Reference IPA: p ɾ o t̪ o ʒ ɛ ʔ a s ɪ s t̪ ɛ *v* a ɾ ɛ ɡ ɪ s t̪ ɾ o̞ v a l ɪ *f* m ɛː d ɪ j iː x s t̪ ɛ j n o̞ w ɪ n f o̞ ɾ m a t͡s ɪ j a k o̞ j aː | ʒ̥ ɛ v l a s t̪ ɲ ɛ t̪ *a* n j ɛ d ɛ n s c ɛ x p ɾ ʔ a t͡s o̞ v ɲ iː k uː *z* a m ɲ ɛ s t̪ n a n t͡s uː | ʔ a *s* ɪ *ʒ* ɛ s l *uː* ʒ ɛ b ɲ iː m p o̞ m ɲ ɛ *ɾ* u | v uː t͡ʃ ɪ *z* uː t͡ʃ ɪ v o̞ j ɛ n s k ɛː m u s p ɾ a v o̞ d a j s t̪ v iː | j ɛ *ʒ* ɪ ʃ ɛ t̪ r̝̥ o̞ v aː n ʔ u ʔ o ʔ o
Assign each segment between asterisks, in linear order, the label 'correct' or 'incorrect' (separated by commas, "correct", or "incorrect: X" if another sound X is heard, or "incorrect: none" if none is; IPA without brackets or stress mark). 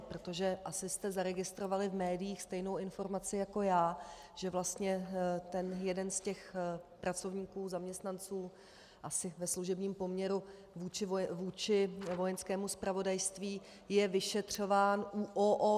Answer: incorrect: z, incorrect: v, incorrect: ɛ, correct, correct, incorrect: v, incorrect: u, correct, incorrect: v, incorrect: v